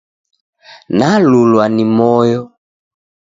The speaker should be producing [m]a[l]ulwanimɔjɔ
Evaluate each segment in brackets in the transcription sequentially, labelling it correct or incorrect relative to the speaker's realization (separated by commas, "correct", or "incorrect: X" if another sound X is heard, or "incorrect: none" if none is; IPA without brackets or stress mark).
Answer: incorrect: n, correct